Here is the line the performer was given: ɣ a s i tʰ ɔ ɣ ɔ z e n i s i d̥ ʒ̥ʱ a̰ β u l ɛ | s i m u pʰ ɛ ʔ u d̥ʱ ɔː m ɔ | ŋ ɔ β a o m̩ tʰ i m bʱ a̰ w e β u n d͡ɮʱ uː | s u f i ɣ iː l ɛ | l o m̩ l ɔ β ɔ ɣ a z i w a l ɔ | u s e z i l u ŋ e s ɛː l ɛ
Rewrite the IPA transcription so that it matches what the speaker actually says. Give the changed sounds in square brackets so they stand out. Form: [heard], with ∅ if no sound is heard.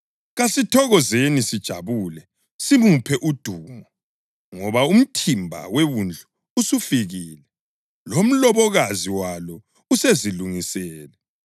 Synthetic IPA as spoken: ɣ a s i tʰ ɔ ɣ ɔ z e n i s i d̥ ʒ̥ʱ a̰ β u l ɛ | s i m u pʰ ɛ ʔ u d̥ʱ [uː] m ɔ | ŋ ɔ β a [u] m̩ tʰ i m bʱ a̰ w e β u n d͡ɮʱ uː | s u f i ɣ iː l ɛ | l o m̩ l ɔ β ɔ ɣ a z i w a l ɔ | u s e z i l u ŋ [i] s ɛː l ɛ